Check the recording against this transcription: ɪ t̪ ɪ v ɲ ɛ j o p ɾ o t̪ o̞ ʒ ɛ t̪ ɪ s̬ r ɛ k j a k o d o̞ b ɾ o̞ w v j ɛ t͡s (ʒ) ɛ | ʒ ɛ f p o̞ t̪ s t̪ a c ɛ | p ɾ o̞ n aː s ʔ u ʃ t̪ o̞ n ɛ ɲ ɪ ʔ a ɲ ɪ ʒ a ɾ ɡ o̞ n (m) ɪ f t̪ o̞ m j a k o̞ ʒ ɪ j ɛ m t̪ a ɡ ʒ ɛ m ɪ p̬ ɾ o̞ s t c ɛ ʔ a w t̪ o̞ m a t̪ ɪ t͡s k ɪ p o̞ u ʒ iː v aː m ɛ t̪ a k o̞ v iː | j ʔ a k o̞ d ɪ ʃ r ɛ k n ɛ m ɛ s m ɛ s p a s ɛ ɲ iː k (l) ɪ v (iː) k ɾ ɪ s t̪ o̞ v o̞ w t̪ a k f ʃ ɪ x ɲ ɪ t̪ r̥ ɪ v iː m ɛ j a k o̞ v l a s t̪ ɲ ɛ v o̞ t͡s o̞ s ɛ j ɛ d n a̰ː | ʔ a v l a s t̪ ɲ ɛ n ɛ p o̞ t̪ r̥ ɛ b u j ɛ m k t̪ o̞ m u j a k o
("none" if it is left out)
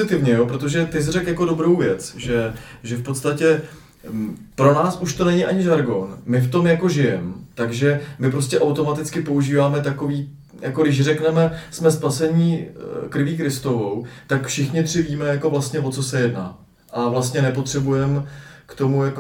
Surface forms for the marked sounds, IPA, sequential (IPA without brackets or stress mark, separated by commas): ʒ, m, ɾ, iː